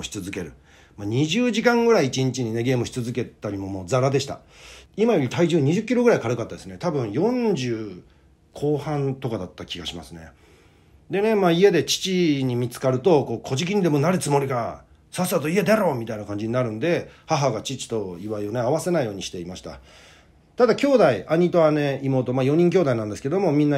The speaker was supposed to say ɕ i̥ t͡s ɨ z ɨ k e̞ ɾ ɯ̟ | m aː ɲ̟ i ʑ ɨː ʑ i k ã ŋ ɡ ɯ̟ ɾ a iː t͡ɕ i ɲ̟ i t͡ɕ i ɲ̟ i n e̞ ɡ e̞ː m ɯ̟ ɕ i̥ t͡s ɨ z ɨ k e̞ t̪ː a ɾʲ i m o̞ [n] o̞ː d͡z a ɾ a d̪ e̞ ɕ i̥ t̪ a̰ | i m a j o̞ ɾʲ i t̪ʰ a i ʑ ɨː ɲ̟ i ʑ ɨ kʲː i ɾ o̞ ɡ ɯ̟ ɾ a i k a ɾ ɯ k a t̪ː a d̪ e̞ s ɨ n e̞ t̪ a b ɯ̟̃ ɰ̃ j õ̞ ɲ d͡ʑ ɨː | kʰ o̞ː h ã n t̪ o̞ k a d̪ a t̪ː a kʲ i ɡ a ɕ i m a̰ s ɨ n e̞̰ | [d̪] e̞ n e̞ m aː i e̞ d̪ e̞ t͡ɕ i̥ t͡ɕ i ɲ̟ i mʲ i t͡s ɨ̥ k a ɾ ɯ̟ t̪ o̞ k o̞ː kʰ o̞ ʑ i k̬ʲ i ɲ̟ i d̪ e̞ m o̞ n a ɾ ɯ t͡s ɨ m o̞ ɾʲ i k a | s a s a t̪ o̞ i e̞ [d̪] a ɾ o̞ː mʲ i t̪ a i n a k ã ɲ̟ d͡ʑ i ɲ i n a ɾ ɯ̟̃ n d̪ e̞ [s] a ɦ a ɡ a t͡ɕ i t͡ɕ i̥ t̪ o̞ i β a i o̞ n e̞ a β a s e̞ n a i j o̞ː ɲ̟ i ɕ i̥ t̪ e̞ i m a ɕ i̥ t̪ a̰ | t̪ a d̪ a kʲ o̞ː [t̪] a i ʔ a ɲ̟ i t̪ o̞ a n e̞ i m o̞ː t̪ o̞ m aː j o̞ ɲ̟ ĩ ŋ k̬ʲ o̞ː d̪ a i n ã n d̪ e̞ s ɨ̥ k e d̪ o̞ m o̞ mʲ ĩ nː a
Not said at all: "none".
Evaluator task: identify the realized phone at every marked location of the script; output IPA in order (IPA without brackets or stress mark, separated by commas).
m, d̪, d̪, h, d̪